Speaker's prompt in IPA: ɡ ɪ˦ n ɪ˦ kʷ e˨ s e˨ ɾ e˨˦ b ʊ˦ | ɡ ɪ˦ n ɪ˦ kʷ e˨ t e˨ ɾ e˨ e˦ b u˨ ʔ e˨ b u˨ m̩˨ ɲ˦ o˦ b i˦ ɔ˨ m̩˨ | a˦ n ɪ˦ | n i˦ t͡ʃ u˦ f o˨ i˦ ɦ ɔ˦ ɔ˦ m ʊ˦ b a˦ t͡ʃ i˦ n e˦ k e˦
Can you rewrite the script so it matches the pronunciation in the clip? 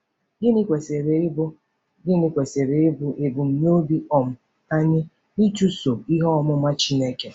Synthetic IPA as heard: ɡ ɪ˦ n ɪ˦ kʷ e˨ s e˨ ɾ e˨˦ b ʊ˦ | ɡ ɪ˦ n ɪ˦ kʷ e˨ s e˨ ɾ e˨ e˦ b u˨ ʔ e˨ b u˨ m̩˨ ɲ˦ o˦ b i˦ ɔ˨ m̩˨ | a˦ ɲ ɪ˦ | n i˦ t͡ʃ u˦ s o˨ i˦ ɦ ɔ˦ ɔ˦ m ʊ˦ m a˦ t͡ʃ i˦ n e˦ k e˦

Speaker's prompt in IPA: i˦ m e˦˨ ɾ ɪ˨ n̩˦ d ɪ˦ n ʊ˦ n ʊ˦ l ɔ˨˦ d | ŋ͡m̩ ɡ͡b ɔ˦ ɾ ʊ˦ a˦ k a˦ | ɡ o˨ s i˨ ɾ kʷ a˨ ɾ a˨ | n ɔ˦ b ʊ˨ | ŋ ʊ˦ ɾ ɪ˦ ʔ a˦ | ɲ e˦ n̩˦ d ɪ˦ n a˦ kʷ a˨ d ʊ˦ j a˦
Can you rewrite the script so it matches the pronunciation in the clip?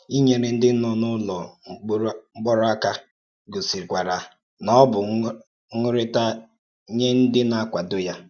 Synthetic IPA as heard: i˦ ɲ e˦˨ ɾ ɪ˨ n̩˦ d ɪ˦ n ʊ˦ n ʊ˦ l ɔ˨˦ | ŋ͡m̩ ɡ͡b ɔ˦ ɾ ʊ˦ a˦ k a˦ | ɡ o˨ s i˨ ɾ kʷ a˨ ɾ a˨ | n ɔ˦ b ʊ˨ | ŋ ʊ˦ ɾ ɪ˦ t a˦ | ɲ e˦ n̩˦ d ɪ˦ n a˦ kʷ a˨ d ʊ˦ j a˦

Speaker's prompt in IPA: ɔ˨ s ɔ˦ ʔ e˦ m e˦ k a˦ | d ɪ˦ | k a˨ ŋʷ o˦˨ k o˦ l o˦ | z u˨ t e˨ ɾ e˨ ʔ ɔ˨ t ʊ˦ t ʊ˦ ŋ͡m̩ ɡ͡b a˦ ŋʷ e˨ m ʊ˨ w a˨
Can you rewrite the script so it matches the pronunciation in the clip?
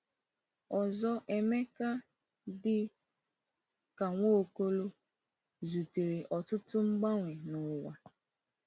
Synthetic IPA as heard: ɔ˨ z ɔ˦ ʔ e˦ m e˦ k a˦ | d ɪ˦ | k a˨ ŋʷ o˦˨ k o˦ l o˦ | z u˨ t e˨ ɾ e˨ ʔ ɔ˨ t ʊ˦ t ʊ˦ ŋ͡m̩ ɡ͡b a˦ ŋʷ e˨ n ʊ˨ w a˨

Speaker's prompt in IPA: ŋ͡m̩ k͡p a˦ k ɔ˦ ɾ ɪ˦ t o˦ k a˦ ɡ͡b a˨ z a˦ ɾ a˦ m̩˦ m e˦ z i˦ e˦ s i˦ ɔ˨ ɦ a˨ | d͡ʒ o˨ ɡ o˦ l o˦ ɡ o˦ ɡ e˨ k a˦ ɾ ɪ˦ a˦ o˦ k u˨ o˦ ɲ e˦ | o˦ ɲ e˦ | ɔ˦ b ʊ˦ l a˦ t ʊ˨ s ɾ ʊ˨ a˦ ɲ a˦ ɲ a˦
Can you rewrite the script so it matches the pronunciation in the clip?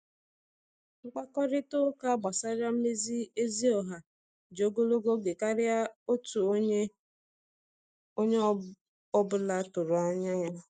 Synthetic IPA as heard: ŋ͡m̩ k͡p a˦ k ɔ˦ ɾ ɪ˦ t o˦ k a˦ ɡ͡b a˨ s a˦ ɾ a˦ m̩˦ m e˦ z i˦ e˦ z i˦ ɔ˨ ɦ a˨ | d͡ʒ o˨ ɡ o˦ l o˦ ɡ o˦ ɡ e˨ k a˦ ɾ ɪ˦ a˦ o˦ t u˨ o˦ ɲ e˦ | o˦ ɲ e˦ | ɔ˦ b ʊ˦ l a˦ t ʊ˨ ɾ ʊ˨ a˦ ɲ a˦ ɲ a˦

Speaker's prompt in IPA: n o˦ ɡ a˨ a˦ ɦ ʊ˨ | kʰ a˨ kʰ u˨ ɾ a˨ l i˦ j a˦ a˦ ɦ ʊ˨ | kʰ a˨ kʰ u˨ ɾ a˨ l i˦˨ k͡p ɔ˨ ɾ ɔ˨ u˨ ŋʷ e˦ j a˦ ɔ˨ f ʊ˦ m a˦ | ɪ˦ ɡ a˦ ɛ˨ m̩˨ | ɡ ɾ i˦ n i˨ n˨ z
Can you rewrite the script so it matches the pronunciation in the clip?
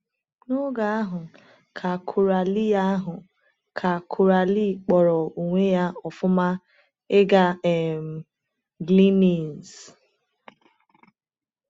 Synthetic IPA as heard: n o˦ ɡ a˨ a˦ ɦ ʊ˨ | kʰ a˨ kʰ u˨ ɾ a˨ l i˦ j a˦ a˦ ɦ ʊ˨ | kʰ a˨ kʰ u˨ ɾ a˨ l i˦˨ k͡p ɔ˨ ɾ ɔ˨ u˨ ŋʷ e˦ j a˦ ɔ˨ f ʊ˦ m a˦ | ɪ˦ ɡ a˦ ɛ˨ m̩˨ | ɡ l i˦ n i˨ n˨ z

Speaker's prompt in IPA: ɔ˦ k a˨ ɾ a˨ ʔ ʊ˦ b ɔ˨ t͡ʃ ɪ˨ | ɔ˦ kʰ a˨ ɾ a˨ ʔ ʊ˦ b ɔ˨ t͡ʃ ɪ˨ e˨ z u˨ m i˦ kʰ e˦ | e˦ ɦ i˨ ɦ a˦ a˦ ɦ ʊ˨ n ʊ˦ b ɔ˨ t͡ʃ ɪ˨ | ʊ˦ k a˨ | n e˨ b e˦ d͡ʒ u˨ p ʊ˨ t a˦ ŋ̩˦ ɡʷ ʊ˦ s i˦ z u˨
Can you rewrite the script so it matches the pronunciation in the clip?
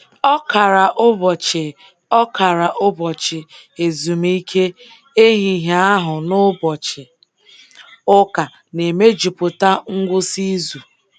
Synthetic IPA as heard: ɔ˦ k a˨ ɾ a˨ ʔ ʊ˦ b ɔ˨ t͡ʃ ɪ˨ | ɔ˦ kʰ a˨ ɾ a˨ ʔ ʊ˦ b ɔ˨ t͡ʃ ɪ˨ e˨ z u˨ m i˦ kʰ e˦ | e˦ ɦ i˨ ɦ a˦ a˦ ɦ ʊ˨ n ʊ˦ b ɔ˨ t͡ʃ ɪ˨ | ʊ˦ k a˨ | n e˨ m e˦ d͡ʒ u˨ p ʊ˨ t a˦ ŋ̩˦ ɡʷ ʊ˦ s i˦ z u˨

